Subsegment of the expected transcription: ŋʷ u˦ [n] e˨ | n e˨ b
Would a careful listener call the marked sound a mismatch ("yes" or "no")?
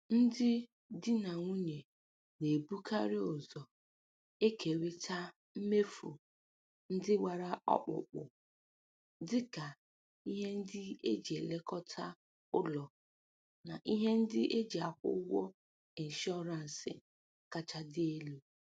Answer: yes